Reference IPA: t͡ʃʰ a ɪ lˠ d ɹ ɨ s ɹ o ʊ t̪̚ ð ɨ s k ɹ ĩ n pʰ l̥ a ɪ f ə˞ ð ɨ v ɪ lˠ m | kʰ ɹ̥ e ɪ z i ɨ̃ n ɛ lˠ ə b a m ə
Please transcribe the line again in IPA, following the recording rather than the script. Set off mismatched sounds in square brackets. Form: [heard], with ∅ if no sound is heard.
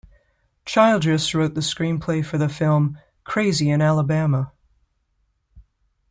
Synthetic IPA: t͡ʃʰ a ɪ lˠ d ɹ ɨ s ɹ o ʊ t̪̚ ð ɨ s k ɹ ĩ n pʰ l̥ [e] ɪ f ə˞ ð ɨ [f] ɪ lˠ m | kʰ ɹ̥ e ɪ z i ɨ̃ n [æ] lˠ ə b [æ] m ə